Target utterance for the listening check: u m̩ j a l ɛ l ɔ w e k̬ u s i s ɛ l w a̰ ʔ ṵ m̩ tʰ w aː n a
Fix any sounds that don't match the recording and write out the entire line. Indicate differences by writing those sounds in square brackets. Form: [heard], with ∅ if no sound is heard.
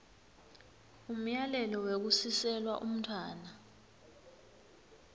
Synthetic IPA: u m̩ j a l ɛ l ɔ w e k̬ u s i s ɛ l w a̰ ʔ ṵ m̩ tʰ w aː n a